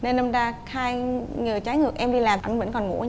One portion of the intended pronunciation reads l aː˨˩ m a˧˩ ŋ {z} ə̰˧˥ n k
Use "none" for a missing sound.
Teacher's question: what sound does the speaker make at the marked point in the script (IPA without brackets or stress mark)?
v